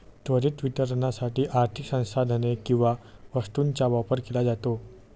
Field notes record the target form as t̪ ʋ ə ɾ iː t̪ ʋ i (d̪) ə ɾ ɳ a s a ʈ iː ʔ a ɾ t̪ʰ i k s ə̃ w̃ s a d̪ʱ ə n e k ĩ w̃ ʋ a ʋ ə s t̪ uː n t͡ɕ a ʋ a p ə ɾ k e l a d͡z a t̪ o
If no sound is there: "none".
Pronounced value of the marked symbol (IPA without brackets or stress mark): t̪